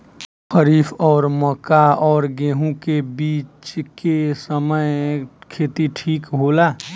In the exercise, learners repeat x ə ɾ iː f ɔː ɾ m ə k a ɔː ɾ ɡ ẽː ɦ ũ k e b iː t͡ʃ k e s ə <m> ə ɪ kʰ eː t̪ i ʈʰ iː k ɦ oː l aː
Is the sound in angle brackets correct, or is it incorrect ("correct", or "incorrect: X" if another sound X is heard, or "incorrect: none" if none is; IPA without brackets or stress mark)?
correct